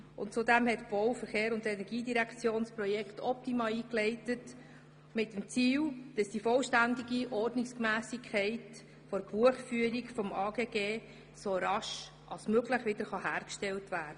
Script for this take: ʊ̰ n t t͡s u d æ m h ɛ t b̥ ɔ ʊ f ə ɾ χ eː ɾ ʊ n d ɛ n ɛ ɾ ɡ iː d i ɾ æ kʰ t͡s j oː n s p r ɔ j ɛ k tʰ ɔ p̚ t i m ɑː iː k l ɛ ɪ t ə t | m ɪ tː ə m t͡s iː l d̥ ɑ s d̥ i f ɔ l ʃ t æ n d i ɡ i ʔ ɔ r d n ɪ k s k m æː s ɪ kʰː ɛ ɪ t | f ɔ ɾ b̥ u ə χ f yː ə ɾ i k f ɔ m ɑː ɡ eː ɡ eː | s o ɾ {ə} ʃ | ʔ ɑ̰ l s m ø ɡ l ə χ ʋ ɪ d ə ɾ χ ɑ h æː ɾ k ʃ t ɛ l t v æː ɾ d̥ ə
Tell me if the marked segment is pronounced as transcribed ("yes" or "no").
no